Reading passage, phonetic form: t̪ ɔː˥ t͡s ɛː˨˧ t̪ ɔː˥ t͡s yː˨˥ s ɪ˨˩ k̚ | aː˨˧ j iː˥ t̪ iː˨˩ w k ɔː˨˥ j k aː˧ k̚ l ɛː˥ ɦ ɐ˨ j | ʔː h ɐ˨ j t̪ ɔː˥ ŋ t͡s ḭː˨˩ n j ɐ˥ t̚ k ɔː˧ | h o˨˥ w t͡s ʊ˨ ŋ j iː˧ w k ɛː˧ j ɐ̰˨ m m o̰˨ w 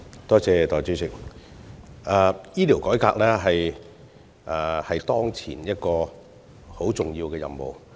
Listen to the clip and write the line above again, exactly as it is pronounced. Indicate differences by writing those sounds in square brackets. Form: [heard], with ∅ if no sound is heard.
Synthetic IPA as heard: t̪ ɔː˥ t͡s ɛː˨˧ t̪ [ɔː˨˩] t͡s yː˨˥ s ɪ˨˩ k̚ | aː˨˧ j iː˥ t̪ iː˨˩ w k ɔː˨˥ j k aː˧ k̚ l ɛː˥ ɦ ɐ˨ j | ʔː h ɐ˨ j t̪ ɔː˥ ŋ [t͡sʰ] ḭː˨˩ n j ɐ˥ t̚ k ɔː˧ | h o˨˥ w t͡s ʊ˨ ŋ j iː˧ w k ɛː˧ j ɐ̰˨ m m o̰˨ w

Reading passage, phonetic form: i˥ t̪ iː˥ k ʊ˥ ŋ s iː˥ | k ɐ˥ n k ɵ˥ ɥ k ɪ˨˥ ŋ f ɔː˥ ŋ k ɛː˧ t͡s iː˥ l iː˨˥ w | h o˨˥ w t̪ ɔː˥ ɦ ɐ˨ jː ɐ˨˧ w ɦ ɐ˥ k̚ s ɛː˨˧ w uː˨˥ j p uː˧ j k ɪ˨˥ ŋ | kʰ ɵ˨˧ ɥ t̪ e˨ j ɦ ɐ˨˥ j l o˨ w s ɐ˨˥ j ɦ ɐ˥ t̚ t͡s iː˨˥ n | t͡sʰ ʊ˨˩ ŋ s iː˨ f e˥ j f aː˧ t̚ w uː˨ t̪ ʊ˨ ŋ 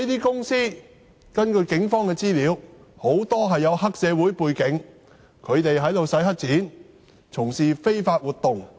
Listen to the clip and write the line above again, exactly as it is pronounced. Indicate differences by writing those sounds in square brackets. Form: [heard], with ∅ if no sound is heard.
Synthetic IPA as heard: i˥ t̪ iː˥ k ʊ˥ ŋ s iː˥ | k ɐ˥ n k [ɵ˧] ɥ k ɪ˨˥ ŋ f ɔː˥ ŋ k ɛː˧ t͡s iː˥ l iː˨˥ w | h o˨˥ w t̪ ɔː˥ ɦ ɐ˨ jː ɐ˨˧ w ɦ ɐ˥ k̚ s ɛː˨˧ w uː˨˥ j p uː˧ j k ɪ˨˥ ŋ | kʰ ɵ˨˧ ɥ t̪ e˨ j ɦ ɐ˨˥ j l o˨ w s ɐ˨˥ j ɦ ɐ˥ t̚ t͡s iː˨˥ n | t͡sʰ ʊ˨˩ ŋ s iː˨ f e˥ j f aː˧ t̚ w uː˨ t̪ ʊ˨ ŋ

